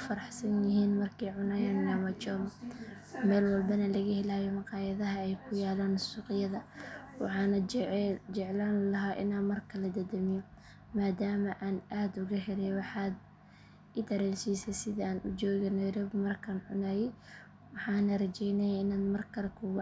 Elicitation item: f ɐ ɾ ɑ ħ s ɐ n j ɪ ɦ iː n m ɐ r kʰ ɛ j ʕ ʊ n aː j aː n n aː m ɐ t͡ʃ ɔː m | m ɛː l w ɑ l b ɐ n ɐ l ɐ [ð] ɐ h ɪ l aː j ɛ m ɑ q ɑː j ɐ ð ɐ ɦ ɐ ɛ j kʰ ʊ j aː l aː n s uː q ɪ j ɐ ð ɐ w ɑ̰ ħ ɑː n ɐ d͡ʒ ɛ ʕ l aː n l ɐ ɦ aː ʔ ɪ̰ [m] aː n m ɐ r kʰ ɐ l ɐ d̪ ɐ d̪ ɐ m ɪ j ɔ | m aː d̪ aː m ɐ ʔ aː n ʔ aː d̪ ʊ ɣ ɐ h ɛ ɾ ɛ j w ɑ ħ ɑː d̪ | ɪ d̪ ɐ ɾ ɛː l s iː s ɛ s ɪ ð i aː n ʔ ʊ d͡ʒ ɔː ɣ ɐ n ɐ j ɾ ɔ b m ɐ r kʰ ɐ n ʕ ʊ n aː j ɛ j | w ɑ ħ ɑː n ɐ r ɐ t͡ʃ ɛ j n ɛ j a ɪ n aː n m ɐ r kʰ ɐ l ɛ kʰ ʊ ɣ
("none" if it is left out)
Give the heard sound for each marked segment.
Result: ɣ, n

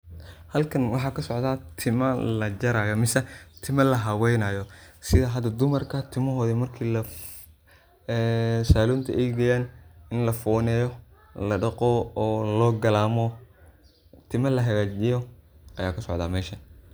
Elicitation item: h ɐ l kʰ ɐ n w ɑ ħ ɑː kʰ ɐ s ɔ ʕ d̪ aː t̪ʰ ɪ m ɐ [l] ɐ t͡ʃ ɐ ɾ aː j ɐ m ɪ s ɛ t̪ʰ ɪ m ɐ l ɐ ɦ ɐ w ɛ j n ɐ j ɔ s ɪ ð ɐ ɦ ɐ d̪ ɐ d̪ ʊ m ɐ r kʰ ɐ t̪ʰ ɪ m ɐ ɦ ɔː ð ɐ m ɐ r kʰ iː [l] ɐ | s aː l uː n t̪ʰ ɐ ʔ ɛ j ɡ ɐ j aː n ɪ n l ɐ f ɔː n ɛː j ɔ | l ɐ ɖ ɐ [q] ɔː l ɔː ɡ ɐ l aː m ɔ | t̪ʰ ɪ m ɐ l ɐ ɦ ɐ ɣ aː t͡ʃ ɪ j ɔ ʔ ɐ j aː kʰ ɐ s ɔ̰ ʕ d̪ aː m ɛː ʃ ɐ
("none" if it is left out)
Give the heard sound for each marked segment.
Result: l, l, q

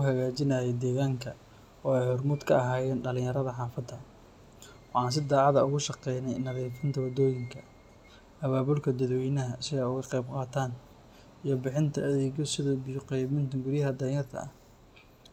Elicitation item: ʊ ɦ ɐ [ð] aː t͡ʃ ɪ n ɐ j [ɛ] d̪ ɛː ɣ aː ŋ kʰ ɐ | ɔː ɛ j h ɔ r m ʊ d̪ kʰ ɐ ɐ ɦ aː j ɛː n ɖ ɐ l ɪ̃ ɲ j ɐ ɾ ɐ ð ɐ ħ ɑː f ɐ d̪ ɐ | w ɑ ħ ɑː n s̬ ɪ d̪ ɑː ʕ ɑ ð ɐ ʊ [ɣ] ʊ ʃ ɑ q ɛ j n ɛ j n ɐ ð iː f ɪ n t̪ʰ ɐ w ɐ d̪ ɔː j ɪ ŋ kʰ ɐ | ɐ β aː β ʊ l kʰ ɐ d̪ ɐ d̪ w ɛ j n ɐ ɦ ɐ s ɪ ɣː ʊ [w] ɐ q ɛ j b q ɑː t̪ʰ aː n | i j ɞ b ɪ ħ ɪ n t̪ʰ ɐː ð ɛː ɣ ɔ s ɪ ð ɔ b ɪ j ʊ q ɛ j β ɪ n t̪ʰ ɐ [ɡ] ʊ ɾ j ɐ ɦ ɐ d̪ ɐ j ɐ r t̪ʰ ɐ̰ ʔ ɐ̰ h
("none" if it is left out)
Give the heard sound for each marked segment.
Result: ɣ, ɛ, ɣ, ɣ, ɡ

